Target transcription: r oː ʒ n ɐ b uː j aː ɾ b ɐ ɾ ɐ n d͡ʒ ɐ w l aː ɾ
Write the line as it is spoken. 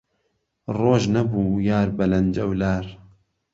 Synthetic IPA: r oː ʒ n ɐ b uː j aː ɾ b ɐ l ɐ n d͡ʒ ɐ w l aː ɾ